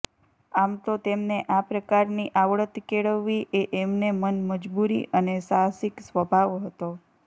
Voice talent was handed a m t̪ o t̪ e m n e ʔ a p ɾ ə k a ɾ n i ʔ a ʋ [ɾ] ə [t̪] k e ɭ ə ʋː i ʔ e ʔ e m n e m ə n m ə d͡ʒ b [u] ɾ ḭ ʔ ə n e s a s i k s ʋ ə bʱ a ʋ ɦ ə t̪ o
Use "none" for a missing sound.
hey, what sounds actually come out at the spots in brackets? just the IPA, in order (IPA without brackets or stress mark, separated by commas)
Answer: ɭ, t̪, u